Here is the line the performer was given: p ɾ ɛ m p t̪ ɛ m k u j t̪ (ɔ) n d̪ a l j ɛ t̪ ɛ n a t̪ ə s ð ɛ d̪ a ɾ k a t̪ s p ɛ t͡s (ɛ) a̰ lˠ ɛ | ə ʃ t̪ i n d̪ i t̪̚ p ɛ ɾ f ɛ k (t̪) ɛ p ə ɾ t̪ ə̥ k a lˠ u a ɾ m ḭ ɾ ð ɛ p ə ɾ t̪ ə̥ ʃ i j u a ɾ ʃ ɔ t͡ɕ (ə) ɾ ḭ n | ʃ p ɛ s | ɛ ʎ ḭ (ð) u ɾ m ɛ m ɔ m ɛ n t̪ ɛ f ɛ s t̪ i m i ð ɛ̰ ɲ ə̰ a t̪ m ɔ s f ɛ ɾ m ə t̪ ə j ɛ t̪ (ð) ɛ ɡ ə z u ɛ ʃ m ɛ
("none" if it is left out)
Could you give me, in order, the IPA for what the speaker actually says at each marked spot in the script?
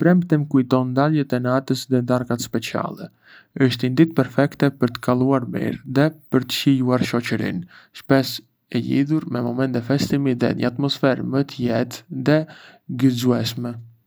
ɔ, i, t̪, ə, ð, ð

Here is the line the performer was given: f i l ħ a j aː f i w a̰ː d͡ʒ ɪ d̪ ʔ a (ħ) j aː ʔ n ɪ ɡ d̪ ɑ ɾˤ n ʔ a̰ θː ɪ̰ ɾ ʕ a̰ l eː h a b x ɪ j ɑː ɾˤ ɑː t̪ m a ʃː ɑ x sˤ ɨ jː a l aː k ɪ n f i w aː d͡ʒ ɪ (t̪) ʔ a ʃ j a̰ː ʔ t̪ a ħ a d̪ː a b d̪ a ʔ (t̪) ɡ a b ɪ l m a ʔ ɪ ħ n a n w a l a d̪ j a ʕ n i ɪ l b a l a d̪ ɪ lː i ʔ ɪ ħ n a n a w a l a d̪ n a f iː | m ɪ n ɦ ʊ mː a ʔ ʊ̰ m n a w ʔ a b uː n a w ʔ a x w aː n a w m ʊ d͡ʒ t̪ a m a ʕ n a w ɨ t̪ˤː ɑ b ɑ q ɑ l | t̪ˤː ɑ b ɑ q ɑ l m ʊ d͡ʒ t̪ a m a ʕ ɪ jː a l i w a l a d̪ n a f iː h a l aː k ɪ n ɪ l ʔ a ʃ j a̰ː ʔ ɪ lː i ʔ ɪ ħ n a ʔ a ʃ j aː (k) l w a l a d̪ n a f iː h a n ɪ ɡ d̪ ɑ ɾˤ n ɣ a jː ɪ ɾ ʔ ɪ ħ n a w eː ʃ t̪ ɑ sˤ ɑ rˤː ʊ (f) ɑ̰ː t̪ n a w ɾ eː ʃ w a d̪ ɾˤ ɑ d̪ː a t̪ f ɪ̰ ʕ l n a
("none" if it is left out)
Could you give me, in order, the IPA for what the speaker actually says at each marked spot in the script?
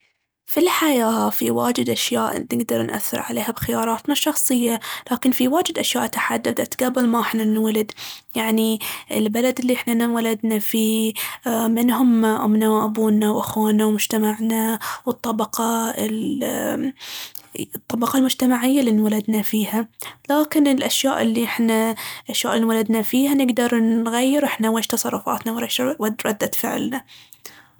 ʃ, d̪, t̪, ʔ, f

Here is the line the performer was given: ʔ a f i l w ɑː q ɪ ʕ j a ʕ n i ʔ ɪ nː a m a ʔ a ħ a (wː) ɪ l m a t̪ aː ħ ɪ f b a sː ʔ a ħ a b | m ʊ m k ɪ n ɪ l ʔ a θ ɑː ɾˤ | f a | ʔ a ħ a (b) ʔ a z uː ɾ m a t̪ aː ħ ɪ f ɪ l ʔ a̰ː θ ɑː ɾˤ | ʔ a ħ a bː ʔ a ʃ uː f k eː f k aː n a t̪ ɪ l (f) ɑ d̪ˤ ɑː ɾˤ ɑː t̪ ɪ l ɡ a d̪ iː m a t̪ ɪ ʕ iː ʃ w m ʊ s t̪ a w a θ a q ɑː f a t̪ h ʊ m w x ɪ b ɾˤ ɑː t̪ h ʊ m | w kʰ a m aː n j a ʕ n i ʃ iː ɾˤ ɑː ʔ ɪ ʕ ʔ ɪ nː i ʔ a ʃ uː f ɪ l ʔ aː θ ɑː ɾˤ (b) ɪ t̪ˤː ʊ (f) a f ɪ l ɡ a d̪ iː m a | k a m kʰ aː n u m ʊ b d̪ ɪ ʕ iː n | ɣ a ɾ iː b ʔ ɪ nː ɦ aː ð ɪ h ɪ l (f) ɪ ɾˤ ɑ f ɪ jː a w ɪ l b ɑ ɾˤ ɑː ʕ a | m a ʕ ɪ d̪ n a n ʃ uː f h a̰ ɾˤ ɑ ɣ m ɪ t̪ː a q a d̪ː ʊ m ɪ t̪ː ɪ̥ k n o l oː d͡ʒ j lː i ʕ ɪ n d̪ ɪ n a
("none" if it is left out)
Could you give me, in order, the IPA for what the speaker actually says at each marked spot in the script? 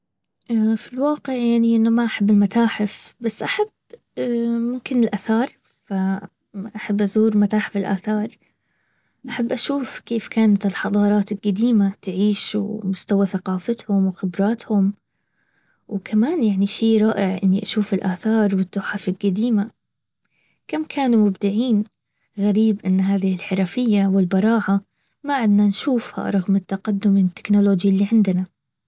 bː, bː, ħ, w, ħ, ħ

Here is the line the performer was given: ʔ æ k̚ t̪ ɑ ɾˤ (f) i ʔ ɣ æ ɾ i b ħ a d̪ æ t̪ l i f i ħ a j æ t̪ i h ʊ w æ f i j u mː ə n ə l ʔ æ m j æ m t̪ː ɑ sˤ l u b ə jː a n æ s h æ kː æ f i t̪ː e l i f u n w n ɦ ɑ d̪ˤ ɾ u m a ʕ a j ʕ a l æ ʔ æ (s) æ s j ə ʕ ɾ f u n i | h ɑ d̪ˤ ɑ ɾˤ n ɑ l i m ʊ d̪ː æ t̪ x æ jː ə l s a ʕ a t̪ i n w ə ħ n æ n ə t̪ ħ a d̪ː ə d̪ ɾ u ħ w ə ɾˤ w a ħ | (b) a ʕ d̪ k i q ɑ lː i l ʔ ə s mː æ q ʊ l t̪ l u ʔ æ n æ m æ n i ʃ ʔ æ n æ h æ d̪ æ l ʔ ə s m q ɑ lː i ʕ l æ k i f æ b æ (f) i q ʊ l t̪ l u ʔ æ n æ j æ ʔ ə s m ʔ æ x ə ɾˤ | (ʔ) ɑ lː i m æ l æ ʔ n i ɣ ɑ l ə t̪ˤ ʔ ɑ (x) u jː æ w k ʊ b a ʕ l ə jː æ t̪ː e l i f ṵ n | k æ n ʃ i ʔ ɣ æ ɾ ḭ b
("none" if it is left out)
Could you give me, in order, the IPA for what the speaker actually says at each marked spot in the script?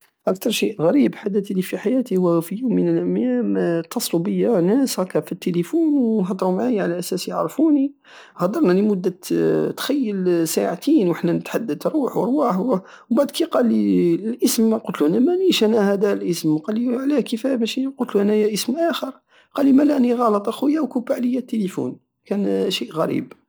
ʃ, s, b, ʃ, q, x

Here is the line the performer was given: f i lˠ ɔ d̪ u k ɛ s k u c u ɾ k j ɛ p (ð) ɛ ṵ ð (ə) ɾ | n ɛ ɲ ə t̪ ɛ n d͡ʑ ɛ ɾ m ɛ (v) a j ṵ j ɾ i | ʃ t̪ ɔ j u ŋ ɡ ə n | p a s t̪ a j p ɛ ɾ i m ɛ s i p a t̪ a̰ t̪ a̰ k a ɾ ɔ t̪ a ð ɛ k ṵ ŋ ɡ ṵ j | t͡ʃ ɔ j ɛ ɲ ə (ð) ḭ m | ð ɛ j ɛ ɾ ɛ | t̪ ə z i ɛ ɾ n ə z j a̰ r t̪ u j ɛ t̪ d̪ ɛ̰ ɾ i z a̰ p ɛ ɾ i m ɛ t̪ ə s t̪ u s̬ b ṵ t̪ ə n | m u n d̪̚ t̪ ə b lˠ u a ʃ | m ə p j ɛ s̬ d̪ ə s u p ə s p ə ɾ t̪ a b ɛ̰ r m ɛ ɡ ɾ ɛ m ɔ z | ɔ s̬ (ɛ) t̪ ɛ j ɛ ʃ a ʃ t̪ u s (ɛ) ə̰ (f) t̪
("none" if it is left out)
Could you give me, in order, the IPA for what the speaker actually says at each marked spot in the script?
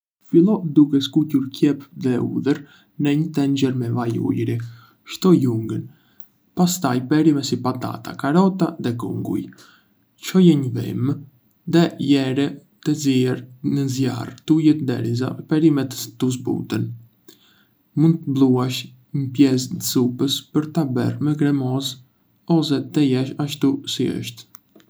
ð, ə, v, v, ɛ, i, ʃ

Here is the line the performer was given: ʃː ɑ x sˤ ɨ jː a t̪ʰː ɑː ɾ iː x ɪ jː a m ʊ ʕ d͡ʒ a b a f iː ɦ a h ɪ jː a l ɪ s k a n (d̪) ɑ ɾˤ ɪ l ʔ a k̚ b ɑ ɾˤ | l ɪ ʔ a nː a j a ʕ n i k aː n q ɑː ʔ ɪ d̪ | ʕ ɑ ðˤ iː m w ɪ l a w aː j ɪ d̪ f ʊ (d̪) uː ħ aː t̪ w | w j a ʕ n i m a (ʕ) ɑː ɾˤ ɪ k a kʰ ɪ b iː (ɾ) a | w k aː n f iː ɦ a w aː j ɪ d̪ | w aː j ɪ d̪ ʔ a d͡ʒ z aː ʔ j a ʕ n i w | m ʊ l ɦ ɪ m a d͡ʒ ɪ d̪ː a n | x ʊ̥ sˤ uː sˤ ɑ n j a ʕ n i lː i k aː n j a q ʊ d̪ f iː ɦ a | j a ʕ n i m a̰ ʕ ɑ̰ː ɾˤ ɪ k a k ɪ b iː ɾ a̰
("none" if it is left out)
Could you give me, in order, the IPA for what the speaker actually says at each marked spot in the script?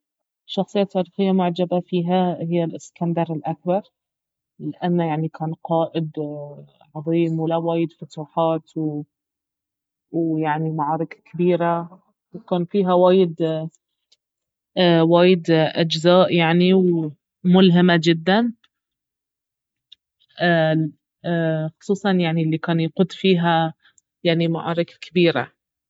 d̪, t̪, ʕ, ɾ

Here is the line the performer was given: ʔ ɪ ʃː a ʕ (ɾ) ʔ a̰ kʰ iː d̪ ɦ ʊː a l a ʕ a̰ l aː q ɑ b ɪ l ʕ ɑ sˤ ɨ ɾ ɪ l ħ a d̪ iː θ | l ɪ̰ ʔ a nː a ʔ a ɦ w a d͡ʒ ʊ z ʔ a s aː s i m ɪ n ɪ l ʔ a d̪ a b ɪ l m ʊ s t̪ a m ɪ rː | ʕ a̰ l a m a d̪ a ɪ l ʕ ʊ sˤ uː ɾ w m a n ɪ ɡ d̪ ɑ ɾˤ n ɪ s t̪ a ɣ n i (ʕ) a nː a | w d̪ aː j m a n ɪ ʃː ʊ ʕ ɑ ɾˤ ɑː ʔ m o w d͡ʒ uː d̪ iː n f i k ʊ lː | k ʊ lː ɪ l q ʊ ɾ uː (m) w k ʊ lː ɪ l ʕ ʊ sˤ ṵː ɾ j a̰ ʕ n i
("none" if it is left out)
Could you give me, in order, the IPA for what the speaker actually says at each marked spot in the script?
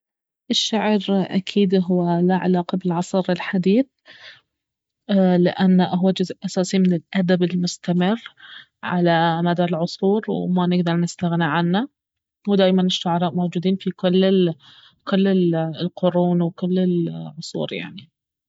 ɾ, ʕ, n

